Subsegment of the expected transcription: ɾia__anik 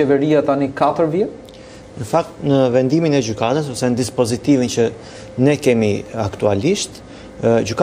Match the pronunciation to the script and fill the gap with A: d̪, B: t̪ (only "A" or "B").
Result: B